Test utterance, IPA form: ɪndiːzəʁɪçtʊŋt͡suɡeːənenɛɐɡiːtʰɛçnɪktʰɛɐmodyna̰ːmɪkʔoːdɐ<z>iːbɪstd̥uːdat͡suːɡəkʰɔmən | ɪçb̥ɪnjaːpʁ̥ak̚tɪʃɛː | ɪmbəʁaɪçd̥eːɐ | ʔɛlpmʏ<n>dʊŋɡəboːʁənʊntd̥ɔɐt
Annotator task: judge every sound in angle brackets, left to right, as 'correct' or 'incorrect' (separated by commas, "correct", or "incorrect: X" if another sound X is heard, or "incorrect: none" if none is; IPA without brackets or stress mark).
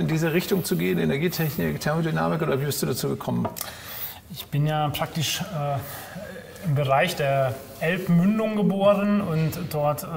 incorrect: v, correct